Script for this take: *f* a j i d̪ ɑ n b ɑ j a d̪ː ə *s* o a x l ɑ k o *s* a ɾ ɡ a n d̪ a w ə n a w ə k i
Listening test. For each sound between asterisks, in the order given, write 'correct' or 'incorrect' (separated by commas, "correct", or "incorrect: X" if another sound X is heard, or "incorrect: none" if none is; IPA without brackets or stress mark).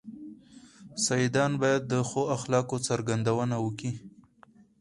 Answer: incorrect: s, incorrect: x, incorrect: t͡s